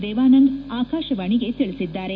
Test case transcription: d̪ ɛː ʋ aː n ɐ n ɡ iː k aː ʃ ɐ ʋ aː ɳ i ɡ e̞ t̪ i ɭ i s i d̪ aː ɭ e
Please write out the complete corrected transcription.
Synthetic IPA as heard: d̪ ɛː ʋ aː n ɐ ŋ ɡ aː k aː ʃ ɐ ʋ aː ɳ i ɡ e̞ t̪ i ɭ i s i d̪ː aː ɾ e